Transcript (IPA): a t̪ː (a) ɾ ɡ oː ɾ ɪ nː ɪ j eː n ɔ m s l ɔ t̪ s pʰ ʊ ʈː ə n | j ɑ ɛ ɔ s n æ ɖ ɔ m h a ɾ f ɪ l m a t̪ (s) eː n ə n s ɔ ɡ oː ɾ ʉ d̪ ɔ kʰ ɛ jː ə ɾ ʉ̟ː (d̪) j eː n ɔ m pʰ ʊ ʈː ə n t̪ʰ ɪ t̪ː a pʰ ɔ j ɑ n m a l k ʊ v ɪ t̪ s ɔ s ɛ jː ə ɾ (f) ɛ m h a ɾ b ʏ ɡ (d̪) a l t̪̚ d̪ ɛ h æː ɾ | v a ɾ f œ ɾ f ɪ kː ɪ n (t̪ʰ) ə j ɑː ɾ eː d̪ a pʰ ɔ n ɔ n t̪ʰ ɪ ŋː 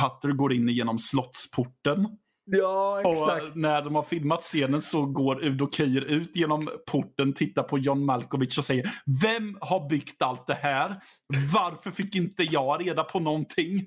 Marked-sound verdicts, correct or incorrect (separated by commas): incorrect, correct, incorrect, incorrect, incorrect, incorrect